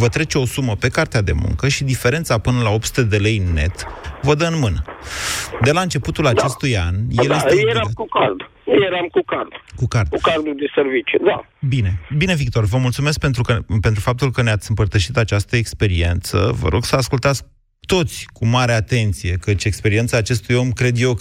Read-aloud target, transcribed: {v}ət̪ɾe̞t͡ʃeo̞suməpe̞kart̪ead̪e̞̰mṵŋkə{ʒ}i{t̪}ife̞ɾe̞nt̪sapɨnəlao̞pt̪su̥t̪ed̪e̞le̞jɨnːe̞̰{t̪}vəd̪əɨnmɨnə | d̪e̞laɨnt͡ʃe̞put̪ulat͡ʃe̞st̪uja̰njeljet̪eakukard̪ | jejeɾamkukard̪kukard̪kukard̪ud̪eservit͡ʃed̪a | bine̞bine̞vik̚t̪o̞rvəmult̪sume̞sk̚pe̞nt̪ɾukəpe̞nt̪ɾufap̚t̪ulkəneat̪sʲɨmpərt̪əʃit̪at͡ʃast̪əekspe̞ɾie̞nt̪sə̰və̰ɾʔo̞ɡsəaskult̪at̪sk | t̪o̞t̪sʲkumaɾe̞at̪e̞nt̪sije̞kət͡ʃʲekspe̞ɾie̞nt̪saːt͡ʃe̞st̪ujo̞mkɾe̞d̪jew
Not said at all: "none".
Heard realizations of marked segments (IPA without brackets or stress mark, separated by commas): v, ʃ, d̪, t̪